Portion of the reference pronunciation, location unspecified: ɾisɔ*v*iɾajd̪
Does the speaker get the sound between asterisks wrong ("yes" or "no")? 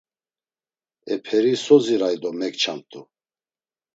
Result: yes